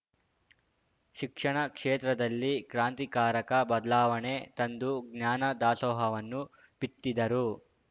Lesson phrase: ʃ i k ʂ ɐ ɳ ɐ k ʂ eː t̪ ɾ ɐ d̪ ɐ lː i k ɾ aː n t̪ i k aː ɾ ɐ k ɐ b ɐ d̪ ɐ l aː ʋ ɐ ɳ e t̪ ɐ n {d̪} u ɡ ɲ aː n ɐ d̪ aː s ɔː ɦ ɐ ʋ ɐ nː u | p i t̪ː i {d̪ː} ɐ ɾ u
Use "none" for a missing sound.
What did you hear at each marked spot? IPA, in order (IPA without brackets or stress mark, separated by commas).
d̪, d̪